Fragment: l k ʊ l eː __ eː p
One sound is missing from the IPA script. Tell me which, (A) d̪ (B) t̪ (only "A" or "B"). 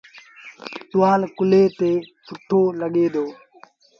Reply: B